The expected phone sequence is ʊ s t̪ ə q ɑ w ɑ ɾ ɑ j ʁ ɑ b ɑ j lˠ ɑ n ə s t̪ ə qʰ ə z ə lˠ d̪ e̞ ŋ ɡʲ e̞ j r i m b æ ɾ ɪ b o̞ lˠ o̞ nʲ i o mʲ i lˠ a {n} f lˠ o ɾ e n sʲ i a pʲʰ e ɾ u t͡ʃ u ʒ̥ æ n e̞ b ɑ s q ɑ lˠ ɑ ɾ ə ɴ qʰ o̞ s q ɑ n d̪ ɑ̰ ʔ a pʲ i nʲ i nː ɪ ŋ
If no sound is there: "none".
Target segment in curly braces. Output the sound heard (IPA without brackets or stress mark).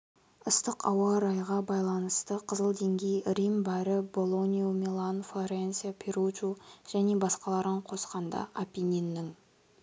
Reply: n